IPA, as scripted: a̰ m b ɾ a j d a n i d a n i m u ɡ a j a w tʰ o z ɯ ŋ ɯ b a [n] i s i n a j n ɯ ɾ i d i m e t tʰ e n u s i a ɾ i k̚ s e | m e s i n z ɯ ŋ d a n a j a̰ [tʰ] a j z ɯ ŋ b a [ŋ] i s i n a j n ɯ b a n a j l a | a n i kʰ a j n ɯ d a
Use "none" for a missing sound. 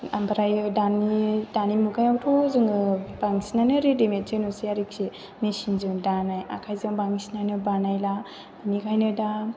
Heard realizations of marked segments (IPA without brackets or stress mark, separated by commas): ŋ, kʰ, ŋ